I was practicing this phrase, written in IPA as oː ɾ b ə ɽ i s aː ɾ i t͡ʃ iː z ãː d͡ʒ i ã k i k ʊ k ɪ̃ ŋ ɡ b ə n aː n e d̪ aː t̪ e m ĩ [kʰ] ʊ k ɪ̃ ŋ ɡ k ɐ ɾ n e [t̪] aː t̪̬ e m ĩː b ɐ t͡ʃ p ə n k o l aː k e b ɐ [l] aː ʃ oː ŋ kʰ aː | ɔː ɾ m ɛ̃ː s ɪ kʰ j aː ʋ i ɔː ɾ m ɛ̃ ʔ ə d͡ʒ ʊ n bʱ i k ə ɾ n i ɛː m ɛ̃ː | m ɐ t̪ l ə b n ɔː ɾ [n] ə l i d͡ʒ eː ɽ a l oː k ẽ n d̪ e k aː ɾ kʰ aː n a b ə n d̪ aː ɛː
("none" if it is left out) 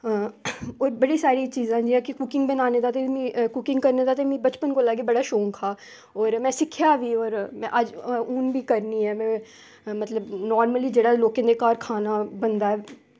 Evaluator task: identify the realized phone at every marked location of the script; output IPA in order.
k, d̪, ɽ, m

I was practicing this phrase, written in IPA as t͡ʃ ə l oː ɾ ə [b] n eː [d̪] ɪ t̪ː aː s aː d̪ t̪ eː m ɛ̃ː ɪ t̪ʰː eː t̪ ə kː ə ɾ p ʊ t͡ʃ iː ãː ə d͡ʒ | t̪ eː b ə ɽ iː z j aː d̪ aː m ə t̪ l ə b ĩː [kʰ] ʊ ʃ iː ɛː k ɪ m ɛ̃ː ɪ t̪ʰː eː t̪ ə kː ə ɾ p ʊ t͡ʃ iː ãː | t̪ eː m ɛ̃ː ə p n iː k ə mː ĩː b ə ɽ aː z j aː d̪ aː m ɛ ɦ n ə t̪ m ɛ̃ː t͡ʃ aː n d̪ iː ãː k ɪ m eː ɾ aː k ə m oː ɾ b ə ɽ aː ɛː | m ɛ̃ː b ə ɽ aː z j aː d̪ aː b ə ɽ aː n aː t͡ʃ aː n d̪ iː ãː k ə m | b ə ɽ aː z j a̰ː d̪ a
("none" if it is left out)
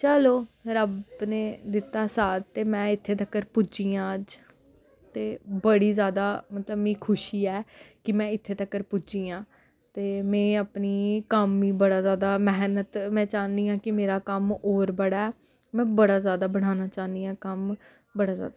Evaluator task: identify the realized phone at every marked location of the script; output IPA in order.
b, d̪, kʰ

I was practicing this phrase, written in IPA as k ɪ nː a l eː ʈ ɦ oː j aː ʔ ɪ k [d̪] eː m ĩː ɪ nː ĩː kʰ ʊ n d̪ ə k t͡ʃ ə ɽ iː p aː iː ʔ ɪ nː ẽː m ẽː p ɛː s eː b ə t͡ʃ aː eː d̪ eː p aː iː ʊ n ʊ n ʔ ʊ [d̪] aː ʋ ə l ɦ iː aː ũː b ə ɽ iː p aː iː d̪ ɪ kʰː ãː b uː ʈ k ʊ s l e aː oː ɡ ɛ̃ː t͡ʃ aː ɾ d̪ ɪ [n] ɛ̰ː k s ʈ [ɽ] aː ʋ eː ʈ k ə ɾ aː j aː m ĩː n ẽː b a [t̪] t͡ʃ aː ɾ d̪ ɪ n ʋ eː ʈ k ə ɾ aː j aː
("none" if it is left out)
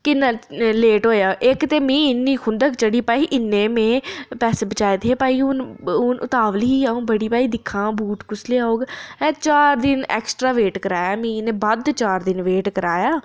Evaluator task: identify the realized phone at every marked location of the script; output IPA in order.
t̪, t̪, n, ɾ, d̪

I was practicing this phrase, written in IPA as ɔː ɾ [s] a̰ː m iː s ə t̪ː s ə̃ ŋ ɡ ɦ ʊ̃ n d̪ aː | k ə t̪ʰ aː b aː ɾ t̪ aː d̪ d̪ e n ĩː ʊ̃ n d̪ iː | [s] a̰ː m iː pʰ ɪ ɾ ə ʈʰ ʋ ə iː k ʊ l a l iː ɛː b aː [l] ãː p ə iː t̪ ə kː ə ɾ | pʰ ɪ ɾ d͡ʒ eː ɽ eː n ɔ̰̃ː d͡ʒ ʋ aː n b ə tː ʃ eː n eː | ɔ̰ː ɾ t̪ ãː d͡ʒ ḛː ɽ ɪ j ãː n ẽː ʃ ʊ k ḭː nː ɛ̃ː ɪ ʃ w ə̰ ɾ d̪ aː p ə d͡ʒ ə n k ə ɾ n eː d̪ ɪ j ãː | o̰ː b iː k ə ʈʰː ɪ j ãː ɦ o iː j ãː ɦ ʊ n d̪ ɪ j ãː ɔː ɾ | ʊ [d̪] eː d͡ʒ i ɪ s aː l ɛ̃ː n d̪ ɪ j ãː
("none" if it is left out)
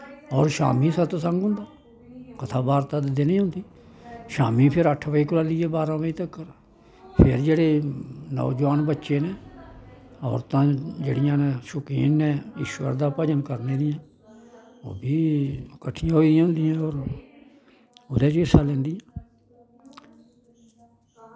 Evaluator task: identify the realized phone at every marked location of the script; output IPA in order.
ʃ, ʃ, ɾ, d̪

